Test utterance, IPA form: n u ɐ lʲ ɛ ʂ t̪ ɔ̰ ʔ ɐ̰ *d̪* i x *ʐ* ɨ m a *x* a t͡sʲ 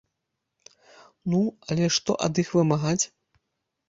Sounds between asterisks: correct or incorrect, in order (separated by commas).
correct, incorrect, incorrect